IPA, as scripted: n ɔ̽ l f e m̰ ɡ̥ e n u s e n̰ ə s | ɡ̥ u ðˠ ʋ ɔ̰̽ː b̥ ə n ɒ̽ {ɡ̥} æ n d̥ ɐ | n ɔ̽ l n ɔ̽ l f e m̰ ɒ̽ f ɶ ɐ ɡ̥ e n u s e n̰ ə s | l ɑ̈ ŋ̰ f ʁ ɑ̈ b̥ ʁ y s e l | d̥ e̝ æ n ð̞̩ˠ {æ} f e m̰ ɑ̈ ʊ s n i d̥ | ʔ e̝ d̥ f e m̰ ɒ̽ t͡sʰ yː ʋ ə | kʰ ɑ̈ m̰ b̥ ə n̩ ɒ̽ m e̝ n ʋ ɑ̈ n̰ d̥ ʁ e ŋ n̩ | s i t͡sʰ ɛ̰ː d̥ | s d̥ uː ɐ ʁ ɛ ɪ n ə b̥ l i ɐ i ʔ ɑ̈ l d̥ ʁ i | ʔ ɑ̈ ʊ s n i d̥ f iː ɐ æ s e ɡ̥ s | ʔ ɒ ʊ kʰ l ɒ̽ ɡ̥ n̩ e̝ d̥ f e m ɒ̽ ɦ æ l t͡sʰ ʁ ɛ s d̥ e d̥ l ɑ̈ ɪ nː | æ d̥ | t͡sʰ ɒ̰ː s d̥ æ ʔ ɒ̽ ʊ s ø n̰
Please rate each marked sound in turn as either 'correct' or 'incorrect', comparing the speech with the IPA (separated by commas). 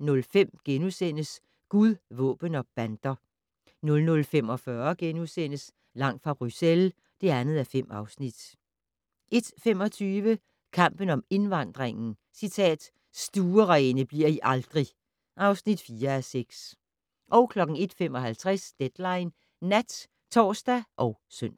incorrect, correct